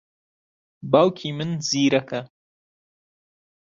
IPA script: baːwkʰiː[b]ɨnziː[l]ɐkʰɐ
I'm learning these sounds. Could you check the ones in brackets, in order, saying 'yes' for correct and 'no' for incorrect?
no, no

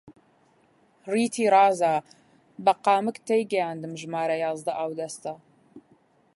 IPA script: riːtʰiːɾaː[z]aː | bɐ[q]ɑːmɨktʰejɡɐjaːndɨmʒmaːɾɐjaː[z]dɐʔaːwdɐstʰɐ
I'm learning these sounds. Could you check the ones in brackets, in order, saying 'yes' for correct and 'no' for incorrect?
yes, yes, yes

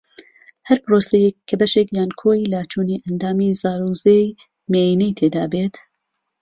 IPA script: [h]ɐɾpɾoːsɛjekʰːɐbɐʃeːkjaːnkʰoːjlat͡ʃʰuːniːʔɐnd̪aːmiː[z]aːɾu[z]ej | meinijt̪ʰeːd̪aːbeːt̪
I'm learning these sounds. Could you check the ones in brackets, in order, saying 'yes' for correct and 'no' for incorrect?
yes, yes, yes

